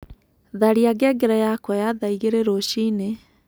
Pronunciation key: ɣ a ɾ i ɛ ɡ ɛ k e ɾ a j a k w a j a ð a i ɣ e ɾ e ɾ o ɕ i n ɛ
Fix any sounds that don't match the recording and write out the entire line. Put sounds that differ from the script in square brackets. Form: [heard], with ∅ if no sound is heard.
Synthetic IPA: [ð] a ɾ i [a] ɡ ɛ [ɡ] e ɾ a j a k w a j a ð a i ɣ e ɾ e ɾ o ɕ i n [e]